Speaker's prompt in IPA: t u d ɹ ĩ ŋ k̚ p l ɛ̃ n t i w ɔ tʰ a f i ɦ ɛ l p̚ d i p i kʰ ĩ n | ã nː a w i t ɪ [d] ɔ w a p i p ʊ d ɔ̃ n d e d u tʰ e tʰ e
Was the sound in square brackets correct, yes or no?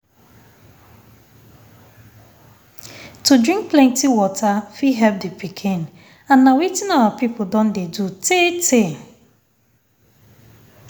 no